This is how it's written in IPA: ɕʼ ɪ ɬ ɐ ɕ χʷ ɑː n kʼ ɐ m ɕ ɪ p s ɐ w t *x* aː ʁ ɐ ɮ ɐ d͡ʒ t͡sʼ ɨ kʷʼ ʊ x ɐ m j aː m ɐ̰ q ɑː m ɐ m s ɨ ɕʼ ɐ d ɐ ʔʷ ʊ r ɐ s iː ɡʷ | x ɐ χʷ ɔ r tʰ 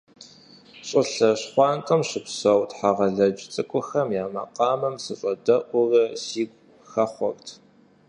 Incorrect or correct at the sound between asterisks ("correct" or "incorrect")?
incorrect